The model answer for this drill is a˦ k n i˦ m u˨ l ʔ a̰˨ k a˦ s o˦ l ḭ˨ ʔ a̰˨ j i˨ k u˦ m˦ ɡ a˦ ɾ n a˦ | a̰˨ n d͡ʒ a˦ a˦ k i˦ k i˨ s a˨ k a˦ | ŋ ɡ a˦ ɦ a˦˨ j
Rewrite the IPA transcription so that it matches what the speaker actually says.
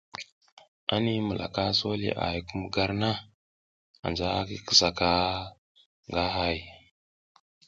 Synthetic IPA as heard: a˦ n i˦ m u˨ l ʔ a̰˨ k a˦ s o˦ l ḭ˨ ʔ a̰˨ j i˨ k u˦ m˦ ɡ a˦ ɾ n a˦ | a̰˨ n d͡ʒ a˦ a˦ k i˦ k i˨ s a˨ k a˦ | ŋ ɡ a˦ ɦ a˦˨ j

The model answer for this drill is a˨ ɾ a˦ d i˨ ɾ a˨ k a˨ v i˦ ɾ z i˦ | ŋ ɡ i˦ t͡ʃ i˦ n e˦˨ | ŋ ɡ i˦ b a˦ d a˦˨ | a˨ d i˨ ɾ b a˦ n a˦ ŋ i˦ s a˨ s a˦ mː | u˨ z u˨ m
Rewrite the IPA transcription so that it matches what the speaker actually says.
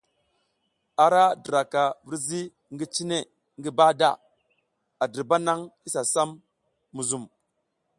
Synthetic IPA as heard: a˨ ɾ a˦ d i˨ ɾ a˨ k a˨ v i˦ ɾ z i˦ | ŋ ɡ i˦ t͡ʃ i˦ n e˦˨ | ŋ ɡ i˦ b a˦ d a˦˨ | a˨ d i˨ ɾ b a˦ n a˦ ŋ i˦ s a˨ s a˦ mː | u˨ z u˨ m

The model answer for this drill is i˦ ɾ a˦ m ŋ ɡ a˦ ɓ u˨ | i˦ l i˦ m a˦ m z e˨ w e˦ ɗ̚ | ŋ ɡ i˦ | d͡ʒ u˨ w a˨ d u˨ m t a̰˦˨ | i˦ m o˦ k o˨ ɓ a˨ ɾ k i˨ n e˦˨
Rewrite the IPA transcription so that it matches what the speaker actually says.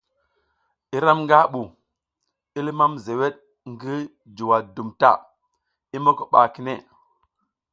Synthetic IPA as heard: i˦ ɾ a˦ m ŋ ɡ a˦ ɓ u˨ | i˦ l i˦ m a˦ m z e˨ w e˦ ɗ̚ | ŋ ɡ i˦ | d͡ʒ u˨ w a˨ d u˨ m t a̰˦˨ | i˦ m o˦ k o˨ ɓ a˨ k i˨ n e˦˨

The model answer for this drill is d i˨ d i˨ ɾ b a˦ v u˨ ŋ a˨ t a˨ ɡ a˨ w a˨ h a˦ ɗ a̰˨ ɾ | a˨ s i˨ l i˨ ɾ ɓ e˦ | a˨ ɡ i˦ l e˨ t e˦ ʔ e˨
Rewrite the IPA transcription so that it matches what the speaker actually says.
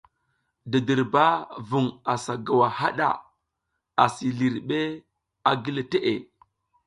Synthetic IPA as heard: d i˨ d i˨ ɾ b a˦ v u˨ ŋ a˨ s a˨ ɡ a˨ w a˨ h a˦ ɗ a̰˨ | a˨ s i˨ l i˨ ɾ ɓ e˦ | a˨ ɡ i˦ l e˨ t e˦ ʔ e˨

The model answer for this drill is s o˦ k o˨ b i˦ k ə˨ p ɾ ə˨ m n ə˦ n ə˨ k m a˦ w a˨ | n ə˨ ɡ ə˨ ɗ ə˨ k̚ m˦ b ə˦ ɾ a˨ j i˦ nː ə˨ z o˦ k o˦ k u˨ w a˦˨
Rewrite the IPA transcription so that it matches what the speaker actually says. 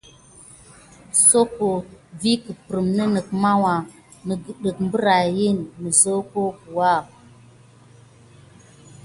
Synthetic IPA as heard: s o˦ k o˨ v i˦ k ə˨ p ɾ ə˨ m n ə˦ n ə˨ k m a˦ w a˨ | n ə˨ ɡ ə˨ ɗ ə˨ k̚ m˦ b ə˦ ɾ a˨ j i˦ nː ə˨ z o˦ k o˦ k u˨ w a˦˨

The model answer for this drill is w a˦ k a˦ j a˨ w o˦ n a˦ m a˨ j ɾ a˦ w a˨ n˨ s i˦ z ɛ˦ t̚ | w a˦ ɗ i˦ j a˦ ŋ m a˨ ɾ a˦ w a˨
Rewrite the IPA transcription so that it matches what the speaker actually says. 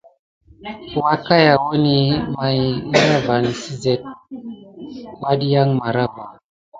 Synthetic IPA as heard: w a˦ k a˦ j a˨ w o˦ n i˦ m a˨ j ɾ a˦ v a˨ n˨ s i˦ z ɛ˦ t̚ | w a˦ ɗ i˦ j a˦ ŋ m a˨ ɾ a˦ v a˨

